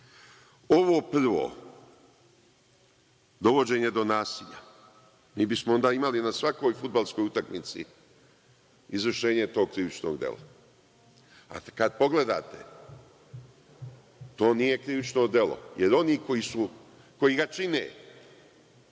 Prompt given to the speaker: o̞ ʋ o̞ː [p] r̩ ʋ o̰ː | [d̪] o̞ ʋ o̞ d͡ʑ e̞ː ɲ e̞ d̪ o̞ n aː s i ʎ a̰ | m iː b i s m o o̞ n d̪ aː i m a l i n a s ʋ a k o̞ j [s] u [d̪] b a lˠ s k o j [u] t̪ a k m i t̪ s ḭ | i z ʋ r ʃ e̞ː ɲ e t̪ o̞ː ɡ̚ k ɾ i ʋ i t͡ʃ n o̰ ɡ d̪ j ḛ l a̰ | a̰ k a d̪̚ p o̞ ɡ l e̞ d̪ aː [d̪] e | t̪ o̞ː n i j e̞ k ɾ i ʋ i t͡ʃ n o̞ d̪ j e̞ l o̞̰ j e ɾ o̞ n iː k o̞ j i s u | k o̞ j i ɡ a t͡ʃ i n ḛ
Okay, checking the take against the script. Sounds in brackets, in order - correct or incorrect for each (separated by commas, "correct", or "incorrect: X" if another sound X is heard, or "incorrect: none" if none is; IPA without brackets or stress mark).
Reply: correct, correct, incorrect: f, correct, correct, incorrect: t̪